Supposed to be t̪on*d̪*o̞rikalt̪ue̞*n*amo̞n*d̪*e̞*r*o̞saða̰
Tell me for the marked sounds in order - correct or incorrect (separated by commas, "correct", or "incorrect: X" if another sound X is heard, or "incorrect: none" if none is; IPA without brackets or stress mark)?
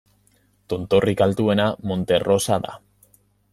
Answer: incorrect: t̪, correct, incorrect: t̪, correct